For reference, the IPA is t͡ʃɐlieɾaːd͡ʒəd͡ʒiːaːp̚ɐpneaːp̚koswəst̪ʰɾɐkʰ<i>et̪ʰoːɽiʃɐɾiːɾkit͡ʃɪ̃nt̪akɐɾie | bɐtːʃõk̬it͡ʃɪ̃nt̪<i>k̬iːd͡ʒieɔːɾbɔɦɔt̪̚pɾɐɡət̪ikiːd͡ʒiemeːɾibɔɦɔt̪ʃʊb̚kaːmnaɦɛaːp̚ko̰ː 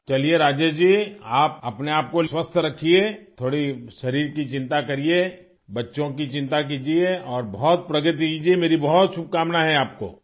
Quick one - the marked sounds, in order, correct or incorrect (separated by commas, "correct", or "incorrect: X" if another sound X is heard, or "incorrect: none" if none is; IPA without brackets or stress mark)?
correct, incorrect: a